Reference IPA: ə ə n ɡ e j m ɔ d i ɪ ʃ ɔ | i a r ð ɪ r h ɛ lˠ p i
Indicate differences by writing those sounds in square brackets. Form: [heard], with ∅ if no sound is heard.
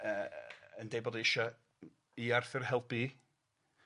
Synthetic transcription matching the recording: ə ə n [d] e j [b] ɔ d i ɪ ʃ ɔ | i a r [θ] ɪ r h ɛ lˠ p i